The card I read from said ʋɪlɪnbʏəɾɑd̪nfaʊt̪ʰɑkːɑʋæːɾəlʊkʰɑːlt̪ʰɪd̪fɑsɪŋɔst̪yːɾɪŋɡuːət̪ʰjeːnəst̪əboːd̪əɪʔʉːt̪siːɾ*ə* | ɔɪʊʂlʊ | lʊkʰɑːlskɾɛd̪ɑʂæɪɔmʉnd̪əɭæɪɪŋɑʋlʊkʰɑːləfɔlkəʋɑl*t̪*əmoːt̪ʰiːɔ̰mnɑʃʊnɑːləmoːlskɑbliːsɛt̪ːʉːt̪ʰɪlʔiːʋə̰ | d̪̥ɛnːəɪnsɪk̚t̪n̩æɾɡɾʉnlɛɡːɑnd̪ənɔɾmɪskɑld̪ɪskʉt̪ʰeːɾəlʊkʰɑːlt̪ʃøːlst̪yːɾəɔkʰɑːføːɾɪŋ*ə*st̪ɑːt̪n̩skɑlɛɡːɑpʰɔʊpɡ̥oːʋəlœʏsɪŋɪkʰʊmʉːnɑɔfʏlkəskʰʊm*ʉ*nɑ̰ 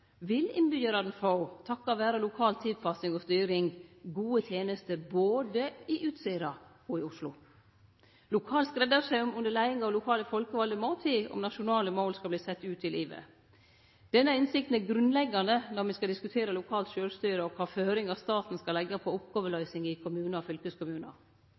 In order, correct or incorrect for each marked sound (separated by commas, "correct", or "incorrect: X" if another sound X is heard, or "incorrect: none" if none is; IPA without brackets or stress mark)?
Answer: incorrect: ɑ, incorrect: d̪, incorrect: ɑ, incorrect: ʉː